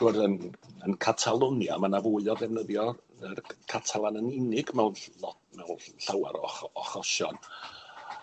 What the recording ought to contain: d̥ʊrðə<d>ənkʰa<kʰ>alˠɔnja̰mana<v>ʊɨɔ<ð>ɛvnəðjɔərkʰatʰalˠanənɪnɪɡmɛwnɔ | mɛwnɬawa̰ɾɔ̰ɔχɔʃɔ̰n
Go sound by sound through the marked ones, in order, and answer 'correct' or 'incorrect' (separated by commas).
incorrect, incorrect, correct, correct